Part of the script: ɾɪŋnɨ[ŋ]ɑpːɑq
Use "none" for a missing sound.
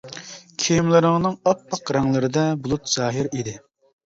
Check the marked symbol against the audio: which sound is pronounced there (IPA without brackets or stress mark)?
ŋ